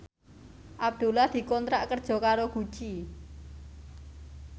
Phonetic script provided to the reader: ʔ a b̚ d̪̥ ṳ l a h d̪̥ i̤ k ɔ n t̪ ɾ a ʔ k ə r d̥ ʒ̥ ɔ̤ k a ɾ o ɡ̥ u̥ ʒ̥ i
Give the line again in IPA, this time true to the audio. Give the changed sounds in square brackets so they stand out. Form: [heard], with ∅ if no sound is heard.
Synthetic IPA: ʔ a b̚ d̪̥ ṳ l a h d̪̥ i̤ k ɔ n t̪ ɾ a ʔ k ə r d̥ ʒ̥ ɔ̤ k a ɾ o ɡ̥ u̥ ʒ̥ i